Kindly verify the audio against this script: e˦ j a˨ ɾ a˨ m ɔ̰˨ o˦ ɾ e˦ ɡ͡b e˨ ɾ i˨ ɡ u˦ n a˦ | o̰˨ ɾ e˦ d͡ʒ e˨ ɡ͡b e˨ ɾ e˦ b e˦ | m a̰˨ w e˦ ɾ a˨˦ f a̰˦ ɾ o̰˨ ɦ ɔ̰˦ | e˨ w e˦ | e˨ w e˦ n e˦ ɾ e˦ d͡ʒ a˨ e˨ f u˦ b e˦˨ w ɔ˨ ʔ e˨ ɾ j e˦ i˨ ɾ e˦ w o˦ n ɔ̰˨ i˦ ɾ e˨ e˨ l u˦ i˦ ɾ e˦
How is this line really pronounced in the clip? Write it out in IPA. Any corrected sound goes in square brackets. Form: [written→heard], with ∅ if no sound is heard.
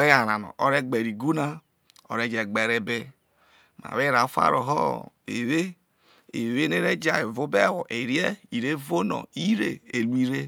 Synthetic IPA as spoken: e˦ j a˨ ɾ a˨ [m→n] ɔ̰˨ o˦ ɾ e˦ ɡ͡b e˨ ɾ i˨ ɡ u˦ n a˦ | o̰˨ ɾ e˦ d͡ʒ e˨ ɡ͡b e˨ ɾ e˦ b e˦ | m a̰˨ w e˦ ɾ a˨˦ f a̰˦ ɾ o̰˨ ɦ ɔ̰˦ | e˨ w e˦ | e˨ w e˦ n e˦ ɾ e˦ d͡ʒ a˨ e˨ [f→v] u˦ b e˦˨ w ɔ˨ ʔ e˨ ɾ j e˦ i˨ ɾ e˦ [w→v] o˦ n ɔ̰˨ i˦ ɾ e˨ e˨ l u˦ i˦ ɾ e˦